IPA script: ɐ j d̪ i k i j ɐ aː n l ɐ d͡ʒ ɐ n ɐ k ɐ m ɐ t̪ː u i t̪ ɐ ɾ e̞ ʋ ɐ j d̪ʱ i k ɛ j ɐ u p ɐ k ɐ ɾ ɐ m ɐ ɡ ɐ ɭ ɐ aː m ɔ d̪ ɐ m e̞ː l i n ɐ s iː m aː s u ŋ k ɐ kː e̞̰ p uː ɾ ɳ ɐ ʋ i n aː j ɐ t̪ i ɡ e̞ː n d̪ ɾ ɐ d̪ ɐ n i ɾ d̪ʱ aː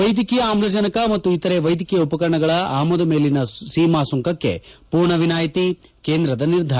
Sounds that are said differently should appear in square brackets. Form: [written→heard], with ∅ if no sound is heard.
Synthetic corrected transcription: ɐ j d̪ i k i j ɐ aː [n→m] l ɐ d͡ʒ ɐ n ɐ k ɐ m ɐ t̪ː u i t̪ ɐ ɾ e̞ ʋ ɐ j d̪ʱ i k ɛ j ɐ u p ɐ k ɐ ɾ ɐ [m→ɳ] ɐ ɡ ɐ ɭ ɐ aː m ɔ d̪ ɐ m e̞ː l i n ɐ s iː m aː s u ŋ k ɐ kː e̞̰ p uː ɾ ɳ ɐ ʋ i n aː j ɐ t̪ i [ɡ→k] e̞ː n d̪ ɾ ɐ d̪ ɐ n i ɾ d̪ʱ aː